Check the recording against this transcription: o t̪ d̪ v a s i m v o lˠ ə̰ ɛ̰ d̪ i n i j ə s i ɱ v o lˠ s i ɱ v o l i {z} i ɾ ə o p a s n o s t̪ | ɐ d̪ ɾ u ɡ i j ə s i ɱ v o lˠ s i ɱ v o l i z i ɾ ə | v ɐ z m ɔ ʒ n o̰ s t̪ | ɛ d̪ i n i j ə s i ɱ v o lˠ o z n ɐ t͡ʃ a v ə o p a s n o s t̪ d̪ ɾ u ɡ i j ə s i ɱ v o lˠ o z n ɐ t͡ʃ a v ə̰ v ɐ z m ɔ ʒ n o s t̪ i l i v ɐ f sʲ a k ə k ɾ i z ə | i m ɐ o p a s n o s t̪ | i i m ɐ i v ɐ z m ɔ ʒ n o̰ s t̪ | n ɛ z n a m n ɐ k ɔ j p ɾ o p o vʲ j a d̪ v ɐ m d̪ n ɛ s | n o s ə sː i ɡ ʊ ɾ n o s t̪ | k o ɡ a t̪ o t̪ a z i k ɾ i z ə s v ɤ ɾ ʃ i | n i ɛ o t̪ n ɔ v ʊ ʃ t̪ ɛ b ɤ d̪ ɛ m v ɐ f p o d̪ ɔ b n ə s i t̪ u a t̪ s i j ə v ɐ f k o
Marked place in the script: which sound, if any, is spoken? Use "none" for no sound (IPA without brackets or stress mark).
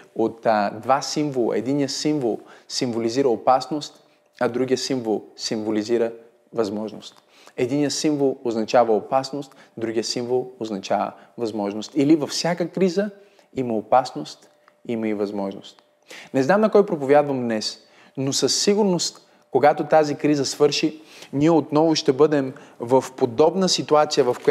z